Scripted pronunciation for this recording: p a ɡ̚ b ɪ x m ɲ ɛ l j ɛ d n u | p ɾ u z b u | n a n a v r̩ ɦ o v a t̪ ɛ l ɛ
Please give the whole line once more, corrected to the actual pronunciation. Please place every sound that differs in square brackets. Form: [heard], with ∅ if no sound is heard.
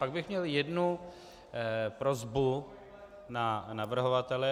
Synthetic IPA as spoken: p a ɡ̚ b ɪ x m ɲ ɛ l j ɛ d n u | p ɾ [o] z b u | n a n a v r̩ ɦ o v a t̪ ɛ l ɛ